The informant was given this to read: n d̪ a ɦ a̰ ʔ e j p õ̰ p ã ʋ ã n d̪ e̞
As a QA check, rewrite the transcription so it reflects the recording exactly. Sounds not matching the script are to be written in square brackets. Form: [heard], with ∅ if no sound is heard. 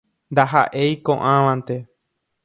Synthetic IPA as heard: n d̪ a ɦ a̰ ʔ e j [k] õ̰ [ʔ] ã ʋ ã n [t̪] e̞